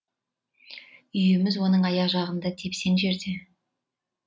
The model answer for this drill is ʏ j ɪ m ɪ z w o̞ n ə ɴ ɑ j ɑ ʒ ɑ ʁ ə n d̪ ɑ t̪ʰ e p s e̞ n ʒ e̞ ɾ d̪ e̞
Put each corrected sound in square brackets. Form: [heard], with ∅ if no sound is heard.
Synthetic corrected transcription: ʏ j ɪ m ɪ z w o̞ n ə ɴ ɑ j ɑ ʒ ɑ ʁ ə n d̪ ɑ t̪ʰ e p s e̞ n ʒ e̞ ɾ d̪ e̞